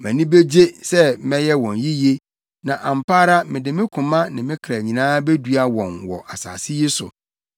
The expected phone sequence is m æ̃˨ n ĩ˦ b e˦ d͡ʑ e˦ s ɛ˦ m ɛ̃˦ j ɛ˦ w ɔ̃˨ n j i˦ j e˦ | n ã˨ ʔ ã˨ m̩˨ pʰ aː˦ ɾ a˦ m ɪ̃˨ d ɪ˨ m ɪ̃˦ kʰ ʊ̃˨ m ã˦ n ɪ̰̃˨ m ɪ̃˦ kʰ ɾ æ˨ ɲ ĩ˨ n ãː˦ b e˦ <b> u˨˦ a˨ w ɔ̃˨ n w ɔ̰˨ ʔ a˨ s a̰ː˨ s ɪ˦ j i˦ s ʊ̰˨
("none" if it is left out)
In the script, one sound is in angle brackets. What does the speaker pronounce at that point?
d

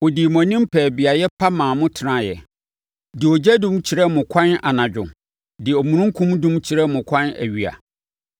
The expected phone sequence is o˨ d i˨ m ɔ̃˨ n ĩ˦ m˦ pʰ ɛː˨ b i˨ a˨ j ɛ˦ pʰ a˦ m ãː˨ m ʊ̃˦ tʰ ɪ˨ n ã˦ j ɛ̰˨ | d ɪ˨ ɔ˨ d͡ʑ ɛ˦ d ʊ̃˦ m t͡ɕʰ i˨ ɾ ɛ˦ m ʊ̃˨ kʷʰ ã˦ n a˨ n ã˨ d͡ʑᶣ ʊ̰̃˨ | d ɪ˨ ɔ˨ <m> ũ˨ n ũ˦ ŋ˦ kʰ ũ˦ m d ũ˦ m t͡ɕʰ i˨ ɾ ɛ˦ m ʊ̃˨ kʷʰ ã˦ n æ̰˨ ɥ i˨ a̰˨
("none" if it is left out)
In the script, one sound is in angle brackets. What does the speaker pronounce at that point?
m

